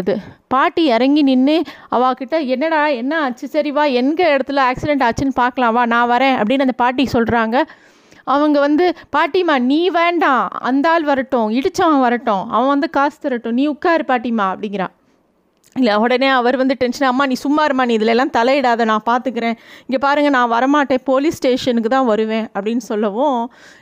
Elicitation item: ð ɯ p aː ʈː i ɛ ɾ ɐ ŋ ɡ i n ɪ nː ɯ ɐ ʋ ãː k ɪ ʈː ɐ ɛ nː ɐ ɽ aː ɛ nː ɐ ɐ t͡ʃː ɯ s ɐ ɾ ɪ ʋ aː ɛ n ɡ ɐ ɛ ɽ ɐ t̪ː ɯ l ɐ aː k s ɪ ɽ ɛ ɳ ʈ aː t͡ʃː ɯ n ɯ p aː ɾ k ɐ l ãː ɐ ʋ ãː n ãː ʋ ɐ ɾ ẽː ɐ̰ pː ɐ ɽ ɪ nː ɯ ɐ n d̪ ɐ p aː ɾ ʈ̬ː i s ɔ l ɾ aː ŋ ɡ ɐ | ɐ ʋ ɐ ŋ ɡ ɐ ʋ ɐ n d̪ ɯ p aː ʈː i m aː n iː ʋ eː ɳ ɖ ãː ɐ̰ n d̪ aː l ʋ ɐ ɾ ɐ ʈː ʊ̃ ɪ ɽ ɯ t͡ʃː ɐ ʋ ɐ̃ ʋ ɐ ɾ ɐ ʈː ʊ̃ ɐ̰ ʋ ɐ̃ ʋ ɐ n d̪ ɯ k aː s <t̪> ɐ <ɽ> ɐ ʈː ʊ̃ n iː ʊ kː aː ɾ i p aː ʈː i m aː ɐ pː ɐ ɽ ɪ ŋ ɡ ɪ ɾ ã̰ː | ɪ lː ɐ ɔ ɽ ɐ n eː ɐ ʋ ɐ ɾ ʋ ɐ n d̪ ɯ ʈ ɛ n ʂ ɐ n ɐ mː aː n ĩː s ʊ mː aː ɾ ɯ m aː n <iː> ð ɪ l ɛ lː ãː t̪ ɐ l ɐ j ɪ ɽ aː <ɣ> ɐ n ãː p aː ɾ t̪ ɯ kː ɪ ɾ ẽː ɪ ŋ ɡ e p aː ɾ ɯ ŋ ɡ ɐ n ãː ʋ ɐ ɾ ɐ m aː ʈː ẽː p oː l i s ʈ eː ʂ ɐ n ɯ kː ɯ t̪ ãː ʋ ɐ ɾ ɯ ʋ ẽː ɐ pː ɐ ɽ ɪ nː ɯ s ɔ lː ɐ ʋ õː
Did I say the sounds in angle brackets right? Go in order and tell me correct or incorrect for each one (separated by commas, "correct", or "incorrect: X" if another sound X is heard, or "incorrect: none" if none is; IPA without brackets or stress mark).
correct, incorrect: ɾ, correct, incorrect: ð